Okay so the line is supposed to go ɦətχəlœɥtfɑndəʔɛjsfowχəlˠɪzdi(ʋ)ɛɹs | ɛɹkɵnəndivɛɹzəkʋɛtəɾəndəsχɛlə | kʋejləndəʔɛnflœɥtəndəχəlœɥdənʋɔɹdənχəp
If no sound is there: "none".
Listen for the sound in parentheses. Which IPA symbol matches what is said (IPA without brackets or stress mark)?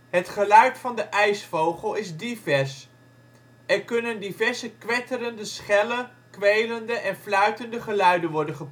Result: v